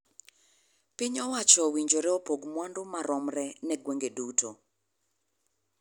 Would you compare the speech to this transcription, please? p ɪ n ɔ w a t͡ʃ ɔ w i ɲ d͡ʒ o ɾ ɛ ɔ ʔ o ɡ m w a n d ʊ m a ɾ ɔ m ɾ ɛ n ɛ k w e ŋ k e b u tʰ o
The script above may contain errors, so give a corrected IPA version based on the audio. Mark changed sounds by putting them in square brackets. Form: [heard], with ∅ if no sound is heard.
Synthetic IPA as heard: p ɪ [ɲ] ɔ w a t͡ʃ ɔ w i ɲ d͡ʒ o ɾ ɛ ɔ [p] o ɡ m w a n d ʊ m a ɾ ɔ m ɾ ɛ n ɛ [ɡ] w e ŋ [ɡ] e [d] u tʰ o